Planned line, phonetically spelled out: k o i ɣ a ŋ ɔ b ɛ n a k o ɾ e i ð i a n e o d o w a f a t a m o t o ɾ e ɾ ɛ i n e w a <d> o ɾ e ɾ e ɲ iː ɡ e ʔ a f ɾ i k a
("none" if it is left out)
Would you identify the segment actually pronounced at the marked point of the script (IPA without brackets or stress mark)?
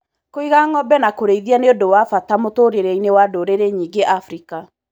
d